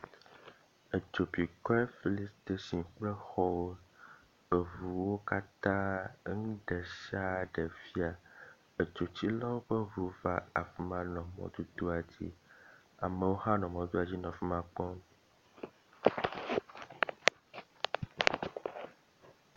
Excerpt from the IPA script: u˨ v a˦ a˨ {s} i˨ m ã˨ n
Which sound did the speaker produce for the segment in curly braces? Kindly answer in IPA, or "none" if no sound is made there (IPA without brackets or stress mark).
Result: f